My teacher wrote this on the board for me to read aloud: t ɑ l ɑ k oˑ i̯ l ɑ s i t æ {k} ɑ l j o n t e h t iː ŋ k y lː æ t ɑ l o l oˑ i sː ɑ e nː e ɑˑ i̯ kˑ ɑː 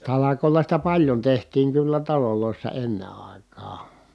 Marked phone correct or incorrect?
incorrect